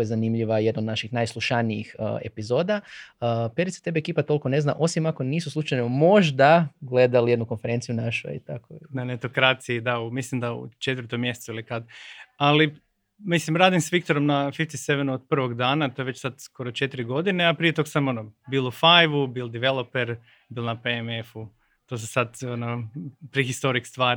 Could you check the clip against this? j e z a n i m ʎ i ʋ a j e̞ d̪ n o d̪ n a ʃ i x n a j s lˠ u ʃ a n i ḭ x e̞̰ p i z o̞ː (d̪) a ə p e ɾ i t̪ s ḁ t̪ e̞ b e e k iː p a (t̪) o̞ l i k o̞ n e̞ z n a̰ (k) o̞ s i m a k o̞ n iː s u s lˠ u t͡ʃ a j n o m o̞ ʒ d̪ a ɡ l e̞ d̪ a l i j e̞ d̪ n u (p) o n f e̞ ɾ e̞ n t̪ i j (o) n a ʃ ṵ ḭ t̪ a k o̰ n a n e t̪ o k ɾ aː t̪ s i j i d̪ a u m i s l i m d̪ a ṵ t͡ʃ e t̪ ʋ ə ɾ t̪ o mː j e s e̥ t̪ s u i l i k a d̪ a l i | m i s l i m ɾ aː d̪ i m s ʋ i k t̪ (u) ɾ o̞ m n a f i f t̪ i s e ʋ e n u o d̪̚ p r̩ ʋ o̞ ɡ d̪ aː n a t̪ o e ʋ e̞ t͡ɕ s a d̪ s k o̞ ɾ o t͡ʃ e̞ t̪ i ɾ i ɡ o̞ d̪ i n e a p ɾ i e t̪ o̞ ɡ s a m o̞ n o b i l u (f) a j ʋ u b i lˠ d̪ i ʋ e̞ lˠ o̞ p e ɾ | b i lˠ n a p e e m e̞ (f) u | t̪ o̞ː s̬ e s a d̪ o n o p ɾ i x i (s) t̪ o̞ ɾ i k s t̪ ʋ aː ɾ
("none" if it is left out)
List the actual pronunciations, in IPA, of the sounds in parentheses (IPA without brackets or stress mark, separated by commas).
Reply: d̪, t̪, ʔ, k, u, o, f, f, s